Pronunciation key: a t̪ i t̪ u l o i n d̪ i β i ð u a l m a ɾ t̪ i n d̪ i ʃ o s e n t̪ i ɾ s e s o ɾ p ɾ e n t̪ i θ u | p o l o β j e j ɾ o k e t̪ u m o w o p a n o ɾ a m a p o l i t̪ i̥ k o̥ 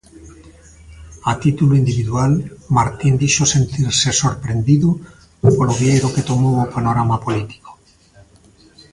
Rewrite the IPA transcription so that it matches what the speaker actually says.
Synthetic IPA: a t̪ i t̪ u l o i n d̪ i β i ð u a l m a ɾ t̪ i n d̪ i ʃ o s e n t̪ i ɾ s e s o ɾ p ɾ e n d̪ i ð u | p o l o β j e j ɾ o k e t̪ o m o w o p a n o ɾ a m a p o l i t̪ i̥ k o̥

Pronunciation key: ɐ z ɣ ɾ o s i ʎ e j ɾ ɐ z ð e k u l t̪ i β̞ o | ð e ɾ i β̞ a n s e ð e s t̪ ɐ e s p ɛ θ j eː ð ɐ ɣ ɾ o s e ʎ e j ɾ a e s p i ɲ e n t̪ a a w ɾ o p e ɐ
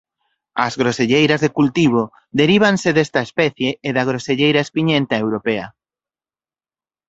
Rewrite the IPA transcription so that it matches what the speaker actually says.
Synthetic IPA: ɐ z ɣ ɾ o s e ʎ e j ɾ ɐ z ð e k u l t̪ i β̞ o | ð e ɾ i β̞ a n s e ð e s t̪ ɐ e s p ɛ θ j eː ð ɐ ɣ ɾ o s e ʎ e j ɾ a e s p i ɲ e n t̪ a e w ɾ o p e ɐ

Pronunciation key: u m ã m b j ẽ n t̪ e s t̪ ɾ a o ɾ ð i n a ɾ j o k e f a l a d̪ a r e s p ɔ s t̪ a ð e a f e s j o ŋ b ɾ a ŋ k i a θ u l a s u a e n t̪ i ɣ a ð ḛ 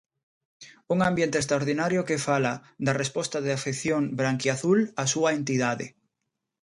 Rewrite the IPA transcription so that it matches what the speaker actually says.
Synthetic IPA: u ŋ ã m b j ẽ n t̪ e s t̪ ɾ a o ɾ ð i n a ɾ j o k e f a l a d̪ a r e s p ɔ s t̪ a ð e a f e θ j o ŋ b ɾ a ŋ k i a θ u l a s u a e n t̪ i ð a ð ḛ

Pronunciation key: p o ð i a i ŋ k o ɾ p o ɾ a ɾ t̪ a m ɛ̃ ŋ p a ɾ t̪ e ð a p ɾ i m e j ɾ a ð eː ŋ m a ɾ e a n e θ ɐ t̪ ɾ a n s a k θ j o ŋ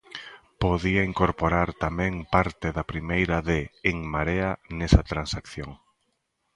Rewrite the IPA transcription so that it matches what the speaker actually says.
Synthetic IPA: p o ð i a i ŋ k o ɾ p o ɾ a ɾ t̪ a m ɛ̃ ŋ p a ɾ t̪ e ð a p ɾ i m e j ɾ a ð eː ŋ m a ɾ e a n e s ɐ t̪ ɾ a n s a k θ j o ŋ

